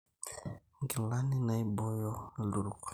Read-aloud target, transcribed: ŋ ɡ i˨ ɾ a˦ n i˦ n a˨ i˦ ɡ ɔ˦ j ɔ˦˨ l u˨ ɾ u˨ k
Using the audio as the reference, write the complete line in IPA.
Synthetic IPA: ŋ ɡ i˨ l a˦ n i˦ n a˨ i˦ b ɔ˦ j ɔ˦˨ l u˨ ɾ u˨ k